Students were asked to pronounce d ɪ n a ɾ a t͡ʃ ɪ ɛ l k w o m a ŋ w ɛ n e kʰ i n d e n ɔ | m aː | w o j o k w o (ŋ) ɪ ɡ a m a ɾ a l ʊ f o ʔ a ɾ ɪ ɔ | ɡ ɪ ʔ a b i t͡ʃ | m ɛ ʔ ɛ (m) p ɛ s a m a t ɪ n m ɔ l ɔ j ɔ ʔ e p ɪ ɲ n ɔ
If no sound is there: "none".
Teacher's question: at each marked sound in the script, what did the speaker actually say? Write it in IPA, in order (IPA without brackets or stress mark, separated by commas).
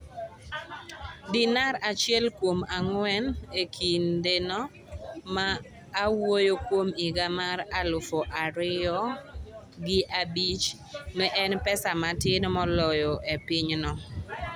m, n